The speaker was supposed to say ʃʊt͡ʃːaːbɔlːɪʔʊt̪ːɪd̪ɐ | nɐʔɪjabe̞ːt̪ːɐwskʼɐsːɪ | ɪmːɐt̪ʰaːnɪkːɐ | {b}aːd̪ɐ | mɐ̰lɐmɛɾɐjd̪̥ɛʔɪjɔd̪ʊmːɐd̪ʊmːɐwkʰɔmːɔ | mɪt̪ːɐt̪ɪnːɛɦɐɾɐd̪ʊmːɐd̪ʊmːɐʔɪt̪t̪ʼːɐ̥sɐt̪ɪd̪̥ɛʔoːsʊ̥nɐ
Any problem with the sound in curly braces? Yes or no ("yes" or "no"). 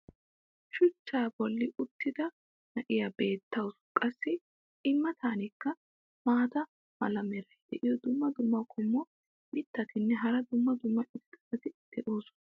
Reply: yes